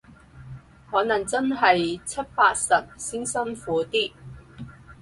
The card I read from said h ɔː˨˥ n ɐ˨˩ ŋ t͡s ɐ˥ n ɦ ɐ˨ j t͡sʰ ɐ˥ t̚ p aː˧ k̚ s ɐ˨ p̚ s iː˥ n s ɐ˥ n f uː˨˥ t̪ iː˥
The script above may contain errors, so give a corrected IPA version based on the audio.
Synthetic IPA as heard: h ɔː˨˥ n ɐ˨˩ ŋ t͡s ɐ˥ n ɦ ɐ˨ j t͡sʰ ɐ˥ t̚ p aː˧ t̚ s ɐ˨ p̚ s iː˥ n s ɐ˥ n f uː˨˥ t̪ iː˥

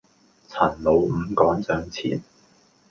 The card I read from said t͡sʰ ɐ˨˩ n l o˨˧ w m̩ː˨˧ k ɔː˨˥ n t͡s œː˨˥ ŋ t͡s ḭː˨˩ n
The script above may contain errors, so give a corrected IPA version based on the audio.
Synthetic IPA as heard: t͡sʰ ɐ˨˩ n l o˨˧ w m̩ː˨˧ k ɔː˨˥ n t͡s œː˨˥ ŋ t͡sʰ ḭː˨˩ n

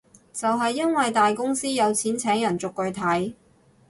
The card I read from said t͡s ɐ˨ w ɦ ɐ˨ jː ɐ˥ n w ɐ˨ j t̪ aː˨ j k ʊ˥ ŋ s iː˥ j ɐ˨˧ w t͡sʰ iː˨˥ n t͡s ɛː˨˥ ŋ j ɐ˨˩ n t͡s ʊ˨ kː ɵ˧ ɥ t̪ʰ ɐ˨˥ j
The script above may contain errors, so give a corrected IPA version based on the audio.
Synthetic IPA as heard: t͡s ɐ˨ w ɦ ɐ˨ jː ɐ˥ n w ɐ˨ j t̪ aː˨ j k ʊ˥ ŋ s iː˥ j ɐ˨˧ w t͡sʰ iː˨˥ n t͡sʰ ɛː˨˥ ŋ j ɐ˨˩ n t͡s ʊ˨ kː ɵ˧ ɥ t̪ʰ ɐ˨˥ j

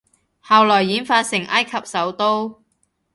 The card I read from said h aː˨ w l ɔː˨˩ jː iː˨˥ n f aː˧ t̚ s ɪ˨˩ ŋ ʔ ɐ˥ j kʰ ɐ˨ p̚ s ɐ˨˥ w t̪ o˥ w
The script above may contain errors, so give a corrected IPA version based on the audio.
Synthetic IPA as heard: h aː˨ w l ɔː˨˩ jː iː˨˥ n f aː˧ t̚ s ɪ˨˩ ŋ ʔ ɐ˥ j kʰ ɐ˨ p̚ s ɐ˨˥ w t̪ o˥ w

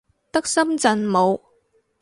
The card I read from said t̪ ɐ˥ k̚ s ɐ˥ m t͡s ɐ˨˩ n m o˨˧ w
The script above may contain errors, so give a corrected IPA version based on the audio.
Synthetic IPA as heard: t̪ ɐ˥ k̚ s ɐ˥ m t͡s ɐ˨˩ n m o˨˧ w

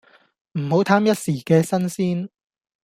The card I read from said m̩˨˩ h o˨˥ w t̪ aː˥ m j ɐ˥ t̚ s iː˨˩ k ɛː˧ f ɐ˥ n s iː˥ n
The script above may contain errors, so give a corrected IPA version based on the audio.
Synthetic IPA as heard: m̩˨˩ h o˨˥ w t̪ʰ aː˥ m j ɐ˥ t̚ s iː˨˩ k ɛː˧ s ɐ˥ n s iː˥ n

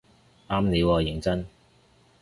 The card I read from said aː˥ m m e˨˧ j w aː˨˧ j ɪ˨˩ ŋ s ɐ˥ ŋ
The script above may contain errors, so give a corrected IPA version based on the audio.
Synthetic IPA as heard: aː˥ m n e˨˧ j w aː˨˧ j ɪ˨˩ ŋ t͡s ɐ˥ n

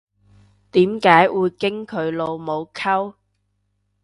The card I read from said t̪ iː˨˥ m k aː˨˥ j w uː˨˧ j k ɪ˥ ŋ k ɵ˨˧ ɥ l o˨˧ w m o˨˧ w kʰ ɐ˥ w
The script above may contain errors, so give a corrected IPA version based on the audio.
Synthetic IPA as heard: t̪ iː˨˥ m k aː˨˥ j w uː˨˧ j k ɪ˥ ŋ kʰ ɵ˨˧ ɥ l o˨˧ w m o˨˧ w kʰ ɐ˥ w

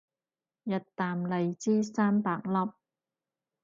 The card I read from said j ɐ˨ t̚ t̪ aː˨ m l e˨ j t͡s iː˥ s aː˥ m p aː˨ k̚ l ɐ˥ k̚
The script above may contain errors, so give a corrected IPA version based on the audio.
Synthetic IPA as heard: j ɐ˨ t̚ t̪ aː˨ m l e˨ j t͡s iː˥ s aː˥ m p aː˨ k̚ l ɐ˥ p̚

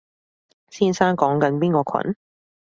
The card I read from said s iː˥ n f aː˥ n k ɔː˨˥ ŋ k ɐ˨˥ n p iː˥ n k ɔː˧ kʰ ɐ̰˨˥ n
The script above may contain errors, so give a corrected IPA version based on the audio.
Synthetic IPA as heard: s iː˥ n s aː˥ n k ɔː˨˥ ŋ k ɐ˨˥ n p iː˥ n k ɔː˧ kʰ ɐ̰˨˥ n

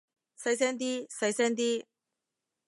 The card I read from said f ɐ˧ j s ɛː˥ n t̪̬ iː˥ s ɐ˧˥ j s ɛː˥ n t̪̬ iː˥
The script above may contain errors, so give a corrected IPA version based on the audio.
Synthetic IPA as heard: s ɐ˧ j s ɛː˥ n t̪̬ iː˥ s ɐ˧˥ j s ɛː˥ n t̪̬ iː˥

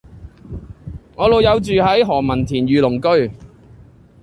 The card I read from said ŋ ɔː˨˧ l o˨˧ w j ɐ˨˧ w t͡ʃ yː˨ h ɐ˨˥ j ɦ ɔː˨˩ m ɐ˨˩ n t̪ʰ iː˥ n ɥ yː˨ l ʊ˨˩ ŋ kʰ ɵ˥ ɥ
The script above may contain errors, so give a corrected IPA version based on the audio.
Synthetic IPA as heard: ŋ ɔː˨˧ l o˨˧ w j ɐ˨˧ w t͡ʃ yː˨ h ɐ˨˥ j ɦ ɔː˨˩ m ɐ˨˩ n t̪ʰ iː˨˩ n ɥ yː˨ l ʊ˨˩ ŋ k ɵ˥ ɥ

